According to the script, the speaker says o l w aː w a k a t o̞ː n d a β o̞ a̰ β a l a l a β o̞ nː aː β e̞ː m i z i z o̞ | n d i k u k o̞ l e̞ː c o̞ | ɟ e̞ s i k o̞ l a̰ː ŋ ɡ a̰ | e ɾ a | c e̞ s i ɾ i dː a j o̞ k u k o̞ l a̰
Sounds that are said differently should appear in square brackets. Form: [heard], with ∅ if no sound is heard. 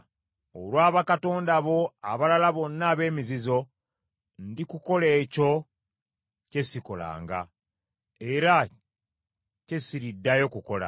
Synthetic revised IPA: o l w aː [β] a k a t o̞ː n d a β o̞ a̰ β a l a l a β o̞ nː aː β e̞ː m i z i z o̞ | n d i k u k o̞ l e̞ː c o̞ | [c] e̞ s i k o̞ l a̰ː ŋ ɡ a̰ | e ɾ a | c e̞ s i ɾ i dː a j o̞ k u k o̞ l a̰